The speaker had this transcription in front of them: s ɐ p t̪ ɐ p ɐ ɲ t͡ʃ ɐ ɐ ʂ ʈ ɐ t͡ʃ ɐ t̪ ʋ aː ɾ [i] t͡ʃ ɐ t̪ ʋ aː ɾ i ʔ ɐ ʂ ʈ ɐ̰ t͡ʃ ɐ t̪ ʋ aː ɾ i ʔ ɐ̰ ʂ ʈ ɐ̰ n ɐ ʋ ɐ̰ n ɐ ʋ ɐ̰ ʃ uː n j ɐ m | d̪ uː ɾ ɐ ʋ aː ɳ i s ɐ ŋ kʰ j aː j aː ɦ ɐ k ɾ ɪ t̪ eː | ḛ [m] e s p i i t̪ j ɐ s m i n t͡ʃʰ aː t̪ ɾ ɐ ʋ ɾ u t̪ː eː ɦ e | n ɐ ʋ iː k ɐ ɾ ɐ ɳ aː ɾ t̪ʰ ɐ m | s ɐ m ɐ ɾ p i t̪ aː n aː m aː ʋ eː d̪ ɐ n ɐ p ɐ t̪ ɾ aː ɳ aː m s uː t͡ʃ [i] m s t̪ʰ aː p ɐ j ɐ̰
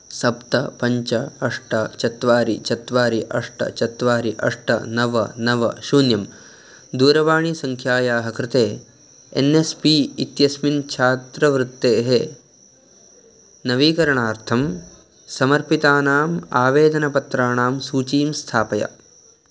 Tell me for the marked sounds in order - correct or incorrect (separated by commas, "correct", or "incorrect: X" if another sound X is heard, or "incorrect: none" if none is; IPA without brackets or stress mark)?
correct, incorrect: n, incorrect: iː